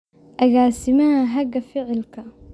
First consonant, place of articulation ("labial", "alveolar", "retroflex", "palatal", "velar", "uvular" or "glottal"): glottal